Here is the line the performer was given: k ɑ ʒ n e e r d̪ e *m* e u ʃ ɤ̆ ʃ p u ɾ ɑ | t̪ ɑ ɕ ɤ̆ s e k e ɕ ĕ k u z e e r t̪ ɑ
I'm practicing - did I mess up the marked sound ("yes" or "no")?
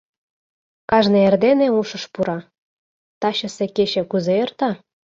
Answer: yes